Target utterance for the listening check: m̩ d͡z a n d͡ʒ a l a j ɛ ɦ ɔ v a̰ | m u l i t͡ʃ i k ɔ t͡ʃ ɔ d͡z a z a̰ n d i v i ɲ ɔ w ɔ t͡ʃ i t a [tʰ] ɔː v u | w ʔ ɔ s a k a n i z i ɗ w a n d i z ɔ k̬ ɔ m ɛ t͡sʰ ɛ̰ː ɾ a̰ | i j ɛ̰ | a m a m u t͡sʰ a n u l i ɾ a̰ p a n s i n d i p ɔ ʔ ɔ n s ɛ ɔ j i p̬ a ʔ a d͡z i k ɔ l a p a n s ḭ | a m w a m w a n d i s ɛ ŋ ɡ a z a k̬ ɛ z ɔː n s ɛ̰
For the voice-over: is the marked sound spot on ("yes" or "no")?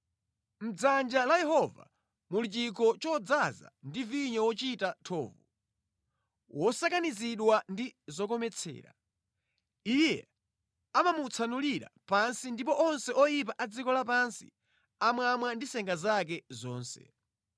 yes